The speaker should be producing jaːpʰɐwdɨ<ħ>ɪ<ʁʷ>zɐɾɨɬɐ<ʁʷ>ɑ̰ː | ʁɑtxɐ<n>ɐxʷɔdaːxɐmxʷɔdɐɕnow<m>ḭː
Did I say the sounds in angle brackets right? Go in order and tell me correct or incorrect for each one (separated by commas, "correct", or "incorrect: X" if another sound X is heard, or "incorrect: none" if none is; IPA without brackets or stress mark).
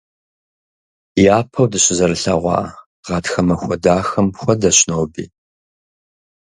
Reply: incorrect: ɕ, incorrect: none, correct, incorrect: m, incorrect: b